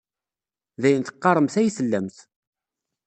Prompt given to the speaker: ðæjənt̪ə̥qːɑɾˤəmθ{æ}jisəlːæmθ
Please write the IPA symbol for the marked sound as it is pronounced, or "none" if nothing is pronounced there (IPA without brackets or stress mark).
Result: æ